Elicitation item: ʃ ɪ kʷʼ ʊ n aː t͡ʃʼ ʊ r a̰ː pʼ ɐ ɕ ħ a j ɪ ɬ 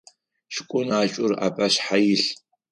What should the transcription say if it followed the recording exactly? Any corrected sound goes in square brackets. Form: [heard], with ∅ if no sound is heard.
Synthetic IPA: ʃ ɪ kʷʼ ʊ n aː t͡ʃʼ ʊ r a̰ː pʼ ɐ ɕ ħ a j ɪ ɬ